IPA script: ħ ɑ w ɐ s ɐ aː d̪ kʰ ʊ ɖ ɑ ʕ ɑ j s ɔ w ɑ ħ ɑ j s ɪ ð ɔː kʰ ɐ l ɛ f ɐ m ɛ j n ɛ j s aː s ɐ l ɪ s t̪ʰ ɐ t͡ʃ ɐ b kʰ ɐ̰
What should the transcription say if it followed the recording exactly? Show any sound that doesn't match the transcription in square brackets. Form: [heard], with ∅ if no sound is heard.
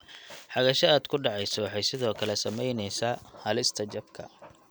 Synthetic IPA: ħ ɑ [ɣ] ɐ [ʃ] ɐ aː d̪ kʰ ʊ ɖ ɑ ʕ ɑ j s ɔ w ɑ ħ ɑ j s ɪ ð ɔː kʰ ɐ l ɛ [s] ɐ m ɛ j n ɛ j s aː [h] ɐ l ɪ s t̪ʰ ɐ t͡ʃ ɐ b kʰ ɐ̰